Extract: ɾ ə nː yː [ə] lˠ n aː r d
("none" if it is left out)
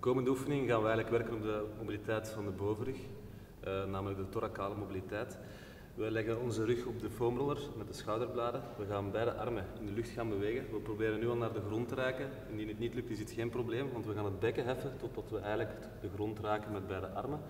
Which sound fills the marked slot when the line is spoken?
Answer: ɑ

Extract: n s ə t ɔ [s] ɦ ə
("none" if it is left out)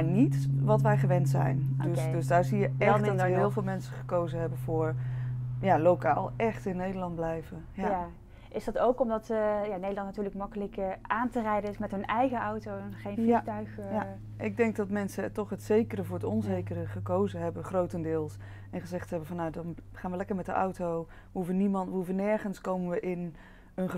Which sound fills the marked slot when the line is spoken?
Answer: χ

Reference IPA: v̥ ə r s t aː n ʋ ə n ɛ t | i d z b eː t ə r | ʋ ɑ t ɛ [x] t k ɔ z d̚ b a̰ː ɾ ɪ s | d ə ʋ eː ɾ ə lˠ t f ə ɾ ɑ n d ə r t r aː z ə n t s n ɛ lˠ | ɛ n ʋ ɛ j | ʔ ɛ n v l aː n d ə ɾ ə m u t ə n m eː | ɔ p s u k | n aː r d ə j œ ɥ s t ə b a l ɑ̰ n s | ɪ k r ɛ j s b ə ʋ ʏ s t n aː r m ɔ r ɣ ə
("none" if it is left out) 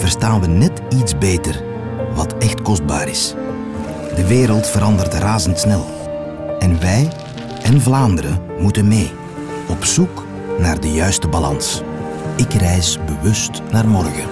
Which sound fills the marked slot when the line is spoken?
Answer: x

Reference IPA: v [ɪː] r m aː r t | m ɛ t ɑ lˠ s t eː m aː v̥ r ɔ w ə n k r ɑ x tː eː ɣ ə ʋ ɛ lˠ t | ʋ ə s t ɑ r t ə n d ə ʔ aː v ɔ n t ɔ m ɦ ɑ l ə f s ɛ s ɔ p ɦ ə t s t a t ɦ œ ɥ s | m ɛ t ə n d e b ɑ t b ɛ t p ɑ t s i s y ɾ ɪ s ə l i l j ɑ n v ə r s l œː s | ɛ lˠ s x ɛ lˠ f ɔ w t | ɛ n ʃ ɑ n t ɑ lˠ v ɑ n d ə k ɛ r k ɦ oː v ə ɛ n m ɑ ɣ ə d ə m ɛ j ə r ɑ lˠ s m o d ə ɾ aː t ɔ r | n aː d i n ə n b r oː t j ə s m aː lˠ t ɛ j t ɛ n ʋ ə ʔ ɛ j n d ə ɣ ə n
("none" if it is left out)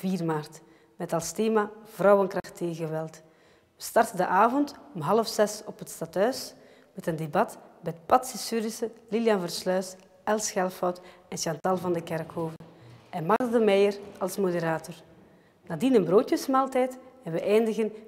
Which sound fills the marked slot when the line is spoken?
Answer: iː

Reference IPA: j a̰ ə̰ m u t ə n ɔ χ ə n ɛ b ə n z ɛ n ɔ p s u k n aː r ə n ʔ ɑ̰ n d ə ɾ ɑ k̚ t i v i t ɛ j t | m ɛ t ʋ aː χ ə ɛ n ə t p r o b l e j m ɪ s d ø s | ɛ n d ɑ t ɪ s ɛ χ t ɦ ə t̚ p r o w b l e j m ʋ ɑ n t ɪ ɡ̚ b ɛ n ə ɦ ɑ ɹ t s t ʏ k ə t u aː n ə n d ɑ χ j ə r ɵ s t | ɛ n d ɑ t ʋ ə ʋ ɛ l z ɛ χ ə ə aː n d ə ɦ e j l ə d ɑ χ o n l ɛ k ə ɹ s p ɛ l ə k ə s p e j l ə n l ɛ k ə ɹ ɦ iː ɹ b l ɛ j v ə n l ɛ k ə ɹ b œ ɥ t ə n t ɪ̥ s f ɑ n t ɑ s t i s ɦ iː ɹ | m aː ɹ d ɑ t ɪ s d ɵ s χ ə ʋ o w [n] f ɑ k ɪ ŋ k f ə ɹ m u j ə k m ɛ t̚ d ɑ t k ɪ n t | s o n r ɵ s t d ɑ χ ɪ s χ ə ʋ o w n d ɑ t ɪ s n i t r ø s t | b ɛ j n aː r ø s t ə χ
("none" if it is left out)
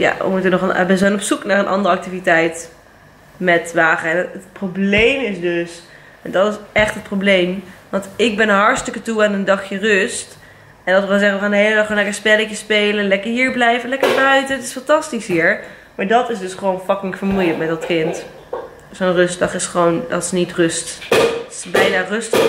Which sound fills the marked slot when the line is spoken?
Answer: n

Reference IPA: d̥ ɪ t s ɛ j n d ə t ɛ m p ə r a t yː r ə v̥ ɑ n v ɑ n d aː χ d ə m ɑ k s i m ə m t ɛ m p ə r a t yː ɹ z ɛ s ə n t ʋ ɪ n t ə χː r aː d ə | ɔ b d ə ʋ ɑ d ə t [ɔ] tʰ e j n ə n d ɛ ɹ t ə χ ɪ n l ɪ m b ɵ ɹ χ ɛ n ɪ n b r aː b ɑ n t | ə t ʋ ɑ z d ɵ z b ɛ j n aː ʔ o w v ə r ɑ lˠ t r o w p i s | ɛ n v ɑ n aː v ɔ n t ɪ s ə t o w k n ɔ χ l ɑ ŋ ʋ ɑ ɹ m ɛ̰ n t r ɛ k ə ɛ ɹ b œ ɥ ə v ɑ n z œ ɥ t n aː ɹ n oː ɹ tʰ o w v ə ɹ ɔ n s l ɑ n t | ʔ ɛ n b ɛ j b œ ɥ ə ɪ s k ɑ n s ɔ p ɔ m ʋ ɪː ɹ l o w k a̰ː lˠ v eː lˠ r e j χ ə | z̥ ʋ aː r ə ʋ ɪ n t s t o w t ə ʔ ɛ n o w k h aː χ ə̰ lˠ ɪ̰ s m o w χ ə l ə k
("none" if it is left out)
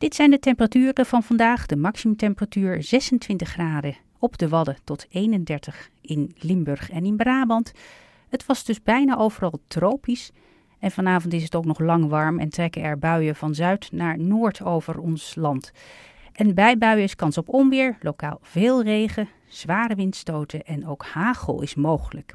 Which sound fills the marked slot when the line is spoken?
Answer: ɔ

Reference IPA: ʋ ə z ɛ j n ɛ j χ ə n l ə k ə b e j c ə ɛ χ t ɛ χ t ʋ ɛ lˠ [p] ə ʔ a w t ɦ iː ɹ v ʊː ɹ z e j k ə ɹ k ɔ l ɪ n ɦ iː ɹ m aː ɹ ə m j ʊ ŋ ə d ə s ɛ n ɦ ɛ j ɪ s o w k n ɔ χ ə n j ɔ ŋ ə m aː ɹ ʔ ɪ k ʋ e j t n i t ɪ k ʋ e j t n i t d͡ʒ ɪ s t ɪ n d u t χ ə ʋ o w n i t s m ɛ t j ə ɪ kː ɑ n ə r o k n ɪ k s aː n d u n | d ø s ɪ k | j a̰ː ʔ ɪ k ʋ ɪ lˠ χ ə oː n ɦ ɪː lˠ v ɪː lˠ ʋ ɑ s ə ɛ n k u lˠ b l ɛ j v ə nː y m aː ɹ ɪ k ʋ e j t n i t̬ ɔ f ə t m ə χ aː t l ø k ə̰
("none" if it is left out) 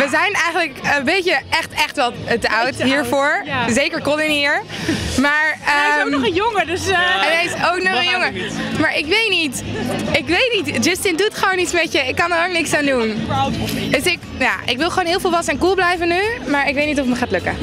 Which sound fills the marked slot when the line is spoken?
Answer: t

